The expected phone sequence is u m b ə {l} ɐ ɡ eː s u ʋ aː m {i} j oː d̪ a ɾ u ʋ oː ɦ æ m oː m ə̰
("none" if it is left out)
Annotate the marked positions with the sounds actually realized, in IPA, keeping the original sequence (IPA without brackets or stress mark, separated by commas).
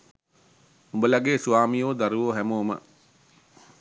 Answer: l, i